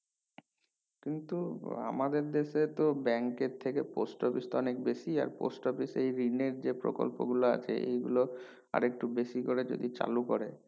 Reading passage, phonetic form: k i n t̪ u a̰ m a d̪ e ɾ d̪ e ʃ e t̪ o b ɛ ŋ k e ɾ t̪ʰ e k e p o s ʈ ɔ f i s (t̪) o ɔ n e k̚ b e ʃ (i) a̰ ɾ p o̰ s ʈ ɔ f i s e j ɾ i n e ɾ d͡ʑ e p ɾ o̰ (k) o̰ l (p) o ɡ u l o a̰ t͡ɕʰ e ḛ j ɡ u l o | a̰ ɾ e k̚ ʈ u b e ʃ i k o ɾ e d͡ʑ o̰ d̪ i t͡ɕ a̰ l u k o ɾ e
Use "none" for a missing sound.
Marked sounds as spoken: t̪, i, k, p

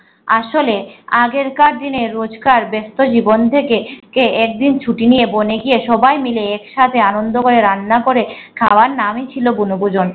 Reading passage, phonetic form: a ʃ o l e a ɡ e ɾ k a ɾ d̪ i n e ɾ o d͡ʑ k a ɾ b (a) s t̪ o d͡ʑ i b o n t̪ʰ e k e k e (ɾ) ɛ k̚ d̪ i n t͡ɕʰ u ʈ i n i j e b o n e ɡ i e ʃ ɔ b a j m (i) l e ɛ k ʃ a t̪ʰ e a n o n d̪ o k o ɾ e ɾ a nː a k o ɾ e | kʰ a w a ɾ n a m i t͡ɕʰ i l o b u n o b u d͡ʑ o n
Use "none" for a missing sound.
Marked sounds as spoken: e, none, i

